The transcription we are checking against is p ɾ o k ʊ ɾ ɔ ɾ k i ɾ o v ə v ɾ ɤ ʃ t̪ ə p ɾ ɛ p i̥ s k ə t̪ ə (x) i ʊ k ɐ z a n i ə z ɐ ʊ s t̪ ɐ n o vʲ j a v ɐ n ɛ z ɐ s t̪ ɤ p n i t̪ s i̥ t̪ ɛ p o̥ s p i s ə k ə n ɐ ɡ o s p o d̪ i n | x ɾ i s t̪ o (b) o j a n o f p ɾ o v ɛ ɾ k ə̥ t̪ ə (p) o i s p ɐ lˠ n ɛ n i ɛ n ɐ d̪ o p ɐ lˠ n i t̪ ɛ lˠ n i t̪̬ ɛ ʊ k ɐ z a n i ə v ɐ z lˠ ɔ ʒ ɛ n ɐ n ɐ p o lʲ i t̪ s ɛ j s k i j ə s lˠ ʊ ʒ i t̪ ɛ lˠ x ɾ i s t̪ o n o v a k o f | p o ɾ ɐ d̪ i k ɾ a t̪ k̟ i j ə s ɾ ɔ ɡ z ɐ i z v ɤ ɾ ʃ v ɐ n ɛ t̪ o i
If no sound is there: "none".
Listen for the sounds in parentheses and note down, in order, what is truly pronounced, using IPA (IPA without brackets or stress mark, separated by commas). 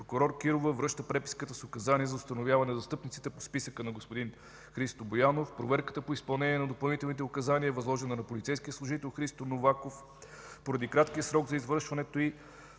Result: s, b, p